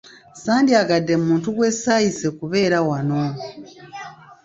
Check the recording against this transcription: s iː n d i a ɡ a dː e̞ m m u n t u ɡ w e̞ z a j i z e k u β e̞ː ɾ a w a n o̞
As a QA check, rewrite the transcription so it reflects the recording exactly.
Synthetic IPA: s aː n d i a ɡ a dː e̞ m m uː n t u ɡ w e̞ s a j i s e k u β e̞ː ɾ a w a n o̞